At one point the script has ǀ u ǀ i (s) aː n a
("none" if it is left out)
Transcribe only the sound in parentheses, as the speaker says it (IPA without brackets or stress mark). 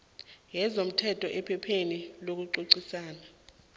s